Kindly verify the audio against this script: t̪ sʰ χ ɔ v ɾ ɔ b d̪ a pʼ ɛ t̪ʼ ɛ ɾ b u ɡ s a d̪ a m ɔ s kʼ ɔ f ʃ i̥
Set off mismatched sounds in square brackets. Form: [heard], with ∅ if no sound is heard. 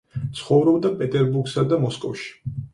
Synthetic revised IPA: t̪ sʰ χ ɔ v ɾ ɔ b d̪ a pʼ ɛ t̪ʼ ɛ ɾ b u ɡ s a d̪ a m ɔ s kʼ ɔ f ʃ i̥

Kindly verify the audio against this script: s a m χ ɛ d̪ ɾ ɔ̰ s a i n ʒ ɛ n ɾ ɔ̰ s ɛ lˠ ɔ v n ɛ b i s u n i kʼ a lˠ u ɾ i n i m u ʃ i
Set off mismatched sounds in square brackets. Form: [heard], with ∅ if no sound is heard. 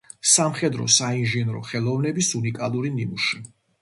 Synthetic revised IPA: s a m χ ɛ d̪ ɾ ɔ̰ s a i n ʒ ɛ n ɾ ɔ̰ [χ] ɛ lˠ ɔ v n ɛ b i s u n i kʼ a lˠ u ɾ i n i m u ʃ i

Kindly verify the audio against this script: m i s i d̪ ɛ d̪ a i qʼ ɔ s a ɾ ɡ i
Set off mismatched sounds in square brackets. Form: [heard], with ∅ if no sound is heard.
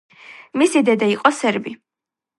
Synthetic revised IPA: m i s i d̪ ɛ d̪ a i qʼ ɔ s [ɛ] ɾ [b] i

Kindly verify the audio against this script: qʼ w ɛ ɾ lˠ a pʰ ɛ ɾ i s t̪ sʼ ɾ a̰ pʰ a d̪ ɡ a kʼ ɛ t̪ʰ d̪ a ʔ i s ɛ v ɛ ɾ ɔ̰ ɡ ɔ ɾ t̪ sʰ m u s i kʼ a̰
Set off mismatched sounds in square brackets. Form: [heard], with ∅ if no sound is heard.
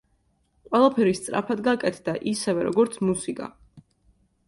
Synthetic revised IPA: qʼ w ɛ [∅] lˠ a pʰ ɛ ɾ i s t̪ sʼ ɾ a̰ pʰ a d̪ ɡ a kʼ ɛ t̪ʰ d̪ a ʔ i s ɛ v ɛ ɾ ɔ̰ ɡ ɔ ɾ t̪ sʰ m u s i kʼ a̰

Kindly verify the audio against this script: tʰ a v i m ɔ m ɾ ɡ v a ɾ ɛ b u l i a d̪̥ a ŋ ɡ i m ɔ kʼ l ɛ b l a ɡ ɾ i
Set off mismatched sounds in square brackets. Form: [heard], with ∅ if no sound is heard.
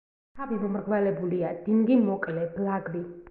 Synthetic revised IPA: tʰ a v i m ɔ m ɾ ɡ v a [l] ɛ b u l i a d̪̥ [i] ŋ ɡ i m ɔ kʼ l ɛ b l a ɡ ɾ i

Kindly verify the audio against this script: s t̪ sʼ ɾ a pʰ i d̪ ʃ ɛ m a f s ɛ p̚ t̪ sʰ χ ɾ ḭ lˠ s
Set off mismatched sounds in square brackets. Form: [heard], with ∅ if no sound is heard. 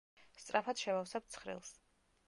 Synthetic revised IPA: s t̪ sʼ ɾ a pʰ [a] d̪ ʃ ɛ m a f s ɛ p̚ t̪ sʰ χ ɾ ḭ lˠ s

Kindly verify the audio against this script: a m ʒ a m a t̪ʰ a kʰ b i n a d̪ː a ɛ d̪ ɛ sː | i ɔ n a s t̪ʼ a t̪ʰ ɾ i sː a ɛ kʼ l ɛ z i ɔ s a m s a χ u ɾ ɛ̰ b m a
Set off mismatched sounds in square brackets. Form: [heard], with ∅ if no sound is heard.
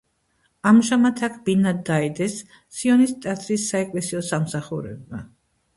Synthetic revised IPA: a m ʒ a m a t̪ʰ a kʰ b i n a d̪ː a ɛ d̪ ɛ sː | i ɔ n [i] s t̪ʼ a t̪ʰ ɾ i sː a ɛ kʼ l ɛ [s] i ɔ s a m s a χ u ɾ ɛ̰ b m a

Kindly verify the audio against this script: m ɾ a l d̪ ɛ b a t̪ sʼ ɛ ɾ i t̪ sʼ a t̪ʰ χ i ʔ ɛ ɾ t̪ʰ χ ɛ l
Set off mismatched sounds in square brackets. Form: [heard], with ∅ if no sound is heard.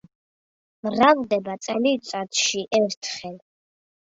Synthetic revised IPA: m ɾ a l d̪ ɛ b a t̪ sʼ ɛ [l] i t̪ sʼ a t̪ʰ [ʃ] i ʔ ɛ ɾ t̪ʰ χ ɛ l

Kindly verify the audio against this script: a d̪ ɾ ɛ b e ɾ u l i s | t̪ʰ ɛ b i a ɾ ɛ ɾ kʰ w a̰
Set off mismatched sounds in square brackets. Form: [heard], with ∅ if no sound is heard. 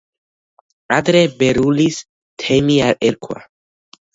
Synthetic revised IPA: a d̪ ɾ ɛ b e ɾ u l i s | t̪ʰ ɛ [m] i a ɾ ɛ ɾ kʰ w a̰

